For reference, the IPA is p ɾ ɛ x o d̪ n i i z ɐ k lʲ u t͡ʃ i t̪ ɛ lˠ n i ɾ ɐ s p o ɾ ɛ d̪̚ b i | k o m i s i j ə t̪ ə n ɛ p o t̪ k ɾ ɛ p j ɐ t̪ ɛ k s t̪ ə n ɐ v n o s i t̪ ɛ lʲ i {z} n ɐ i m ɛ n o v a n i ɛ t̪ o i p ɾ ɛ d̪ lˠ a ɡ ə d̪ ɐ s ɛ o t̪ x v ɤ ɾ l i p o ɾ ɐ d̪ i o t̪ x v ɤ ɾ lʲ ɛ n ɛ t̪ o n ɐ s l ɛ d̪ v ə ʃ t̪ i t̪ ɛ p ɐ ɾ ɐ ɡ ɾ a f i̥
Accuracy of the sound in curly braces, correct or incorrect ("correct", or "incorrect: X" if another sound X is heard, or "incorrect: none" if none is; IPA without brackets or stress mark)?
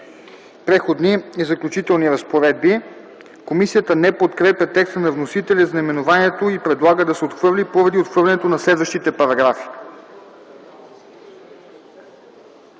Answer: correct